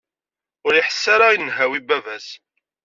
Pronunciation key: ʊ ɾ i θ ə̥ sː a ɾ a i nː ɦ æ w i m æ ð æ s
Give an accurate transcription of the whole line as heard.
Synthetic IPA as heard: ʊ ɾ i ħ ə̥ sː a ɾ a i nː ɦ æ w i b æ v æ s